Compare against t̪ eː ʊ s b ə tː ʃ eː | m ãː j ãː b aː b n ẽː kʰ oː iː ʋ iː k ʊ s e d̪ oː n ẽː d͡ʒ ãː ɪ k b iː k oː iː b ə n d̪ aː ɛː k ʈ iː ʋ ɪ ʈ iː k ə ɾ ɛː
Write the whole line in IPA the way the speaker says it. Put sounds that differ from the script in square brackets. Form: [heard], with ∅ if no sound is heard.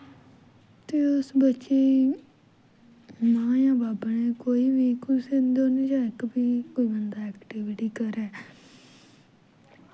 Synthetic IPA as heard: t̪ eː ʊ s b ə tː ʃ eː | m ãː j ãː b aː b n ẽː [k] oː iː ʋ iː k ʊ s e d̪ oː n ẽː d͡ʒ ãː ɪ k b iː k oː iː b ə n d̪ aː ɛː k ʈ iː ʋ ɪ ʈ iː k ə ɾ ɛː